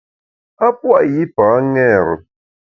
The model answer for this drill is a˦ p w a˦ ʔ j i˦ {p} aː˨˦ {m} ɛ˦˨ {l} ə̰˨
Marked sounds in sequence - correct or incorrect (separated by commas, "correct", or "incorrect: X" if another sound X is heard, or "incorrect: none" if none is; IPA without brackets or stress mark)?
correct, incorrect: ŋ, incorrect: ɾ